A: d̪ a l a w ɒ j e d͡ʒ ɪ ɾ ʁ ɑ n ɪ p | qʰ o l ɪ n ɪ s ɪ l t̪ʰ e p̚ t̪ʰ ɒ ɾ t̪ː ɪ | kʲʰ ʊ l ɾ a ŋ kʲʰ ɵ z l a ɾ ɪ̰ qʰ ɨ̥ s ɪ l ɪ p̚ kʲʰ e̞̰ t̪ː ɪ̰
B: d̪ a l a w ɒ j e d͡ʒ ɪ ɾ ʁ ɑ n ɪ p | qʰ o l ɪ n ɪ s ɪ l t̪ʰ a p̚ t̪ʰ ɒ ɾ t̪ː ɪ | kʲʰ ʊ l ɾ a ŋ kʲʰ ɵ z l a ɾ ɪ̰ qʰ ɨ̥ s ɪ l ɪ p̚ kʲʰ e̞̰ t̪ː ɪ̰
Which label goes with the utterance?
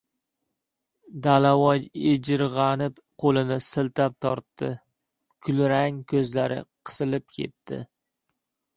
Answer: B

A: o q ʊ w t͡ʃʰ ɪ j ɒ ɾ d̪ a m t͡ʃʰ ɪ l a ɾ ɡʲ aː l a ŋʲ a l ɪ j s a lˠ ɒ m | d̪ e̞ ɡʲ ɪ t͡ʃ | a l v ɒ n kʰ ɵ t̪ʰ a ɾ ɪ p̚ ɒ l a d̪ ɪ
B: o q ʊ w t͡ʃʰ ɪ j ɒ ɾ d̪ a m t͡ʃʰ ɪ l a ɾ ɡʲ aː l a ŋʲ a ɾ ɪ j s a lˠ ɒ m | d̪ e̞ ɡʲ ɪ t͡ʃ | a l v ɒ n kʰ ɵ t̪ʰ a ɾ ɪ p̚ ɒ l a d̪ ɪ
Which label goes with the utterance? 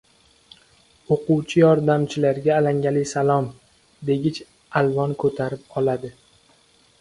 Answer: A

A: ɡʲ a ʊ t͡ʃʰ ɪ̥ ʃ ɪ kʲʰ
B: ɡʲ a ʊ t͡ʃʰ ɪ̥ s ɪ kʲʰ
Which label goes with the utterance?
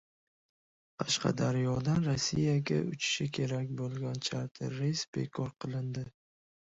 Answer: A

